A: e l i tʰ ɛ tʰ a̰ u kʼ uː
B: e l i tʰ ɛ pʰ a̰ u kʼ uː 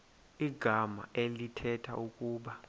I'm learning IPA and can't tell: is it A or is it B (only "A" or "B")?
A